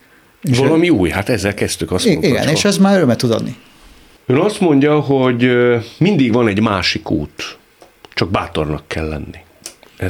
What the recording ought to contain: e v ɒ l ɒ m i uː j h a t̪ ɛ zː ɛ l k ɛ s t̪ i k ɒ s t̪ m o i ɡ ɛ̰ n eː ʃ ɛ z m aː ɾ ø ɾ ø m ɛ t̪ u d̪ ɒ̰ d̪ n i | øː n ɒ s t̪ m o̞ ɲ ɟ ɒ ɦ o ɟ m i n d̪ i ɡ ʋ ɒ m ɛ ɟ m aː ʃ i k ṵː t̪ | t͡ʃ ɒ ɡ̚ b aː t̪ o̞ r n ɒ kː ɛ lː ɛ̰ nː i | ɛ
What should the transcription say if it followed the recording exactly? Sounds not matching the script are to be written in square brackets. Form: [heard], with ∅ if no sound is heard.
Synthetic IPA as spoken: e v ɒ l ɒ m i uː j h a t̪ ɛ zː ɛ l k ɛ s t̪ [y] k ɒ s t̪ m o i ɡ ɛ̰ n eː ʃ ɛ z m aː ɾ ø ɾ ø m ɛ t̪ u d̪ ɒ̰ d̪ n i | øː n ɒ s t̪ m o̞ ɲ ɟ ɒ ɦ o ɟ m i n d̪ i ɡ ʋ ɒ [n] ɛ ɟ m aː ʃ i k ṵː t̪ | t͡ʃ ɒ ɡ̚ b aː t̪ o̞ r n ɒ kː ɛ lː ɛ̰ nː i | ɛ